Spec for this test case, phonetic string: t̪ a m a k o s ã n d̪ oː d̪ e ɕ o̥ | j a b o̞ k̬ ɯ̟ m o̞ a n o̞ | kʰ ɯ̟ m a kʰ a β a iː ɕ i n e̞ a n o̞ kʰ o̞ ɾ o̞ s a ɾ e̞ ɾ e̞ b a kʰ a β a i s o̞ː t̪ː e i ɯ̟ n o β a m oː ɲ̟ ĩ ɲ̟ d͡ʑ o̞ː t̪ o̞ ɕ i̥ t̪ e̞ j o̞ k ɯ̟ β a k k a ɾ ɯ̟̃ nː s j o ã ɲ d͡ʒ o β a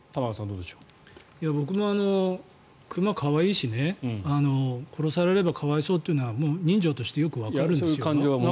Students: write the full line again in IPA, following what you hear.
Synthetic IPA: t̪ a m a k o s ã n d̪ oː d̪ e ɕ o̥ | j a b o̞ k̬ ɯ̟ m o̞ a n o̞ | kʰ ɯ̟ m a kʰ a β a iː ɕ i n e̞ a n o̞ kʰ o̞ ɾ o̞ s a ɾ e̞ ɾ e̞ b a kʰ a β a i s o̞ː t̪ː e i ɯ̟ n o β a m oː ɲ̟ ĩ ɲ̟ d͡ʑ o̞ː t̪ o̞ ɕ i̥ t̪ e̞ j o̞ k ɯ̟ β a k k a ɾ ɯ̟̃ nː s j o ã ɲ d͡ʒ o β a